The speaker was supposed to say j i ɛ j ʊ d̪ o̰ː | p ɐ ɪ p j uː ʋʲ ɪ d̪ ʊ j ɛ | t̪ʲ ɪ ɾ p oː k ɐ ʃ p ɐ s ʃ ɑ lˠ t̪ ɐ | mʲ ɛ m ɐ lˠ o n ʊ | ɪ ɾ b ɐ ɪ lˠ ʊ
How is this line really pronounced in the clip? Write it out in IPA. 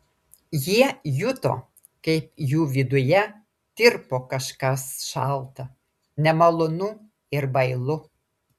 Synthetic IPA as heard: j i ɛ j ʊ t̪ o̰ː | k ɐ ɪ p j uː ʋʲ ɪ d̪ ʊ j ɛ | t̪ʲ ɪ ɾ p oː k ɐ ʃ k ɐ s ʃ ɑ lˠ t̪ ɐ | nʲ ɛ m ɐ lˠ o n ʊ | ɪ ɾ b ɐ ɪ lˠ ʊ